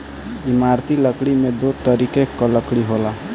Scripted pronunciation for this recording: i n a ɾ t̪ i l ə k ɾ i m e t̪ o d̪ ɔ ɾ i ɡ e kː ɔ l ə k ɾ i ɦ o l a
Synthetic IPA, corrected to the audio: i m a ɾ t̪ i l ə k ɽ i m e d̪ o t̪ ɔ ɾ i k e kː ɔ l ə k ɽ i ɦ o l a